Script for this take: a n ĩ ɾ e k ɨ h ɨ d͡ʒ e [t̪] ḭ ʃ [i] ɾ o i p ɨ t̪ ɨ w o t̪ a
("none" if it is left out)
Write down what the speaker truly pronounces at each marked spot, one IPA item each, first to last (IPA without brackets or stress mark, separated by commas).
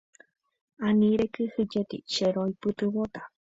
t̪, e